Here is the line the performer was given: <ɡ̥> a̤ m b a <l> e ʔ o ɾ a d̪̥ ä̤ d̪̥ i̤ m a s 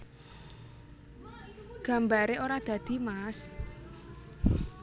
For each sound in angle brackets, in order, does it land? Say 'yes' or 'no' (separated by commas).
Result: yes, no